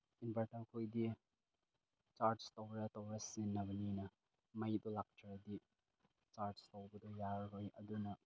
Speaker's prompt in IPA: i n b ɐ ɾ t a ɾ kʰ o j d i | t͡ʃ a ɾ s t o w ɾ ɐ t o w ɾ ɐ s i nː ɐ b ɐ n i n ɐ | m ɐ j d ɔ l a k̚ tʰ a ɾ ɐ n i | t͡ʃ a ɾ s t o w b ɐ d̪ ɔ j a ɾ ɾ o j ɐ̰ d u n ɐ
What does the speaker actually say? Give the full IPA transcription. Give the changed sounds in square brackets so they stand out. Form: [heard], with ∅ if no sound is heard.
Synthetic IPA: i n b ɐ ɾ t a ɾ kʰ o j d i | t͡ʃ a ɾ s t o w ɾ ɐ t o w ɾ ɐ s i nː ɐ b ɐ n i n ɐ | m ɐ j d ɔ l a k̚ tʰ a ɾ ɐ [d] i | t͡ʃ a ɾ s t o w b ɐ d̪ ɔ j a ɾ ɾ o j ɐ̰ d u n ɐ